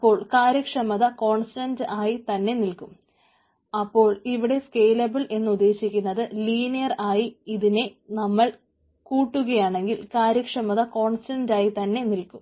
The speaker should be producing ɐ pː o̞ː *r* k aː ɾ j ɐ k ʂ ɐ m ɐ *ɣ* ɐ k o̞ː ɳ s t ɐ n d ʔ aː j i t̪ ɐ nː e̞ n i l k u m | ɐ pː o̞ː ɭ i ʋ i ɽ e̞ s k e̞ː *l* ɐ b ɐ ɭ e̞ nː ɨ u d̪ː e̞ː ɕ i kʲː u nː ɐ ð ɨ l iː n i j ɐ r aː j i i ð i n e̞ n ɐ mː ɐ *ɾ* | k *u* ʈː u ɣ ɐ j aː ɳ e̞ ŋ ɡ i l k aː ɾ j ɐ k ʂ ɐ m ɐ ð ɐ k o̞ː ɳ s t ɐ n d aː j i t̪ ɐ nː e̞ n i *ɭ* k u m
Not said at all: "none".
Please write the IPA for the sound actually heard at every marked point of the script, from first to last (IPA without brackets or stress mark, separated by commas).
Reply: ɭ, ð, l, ɭ, uː, l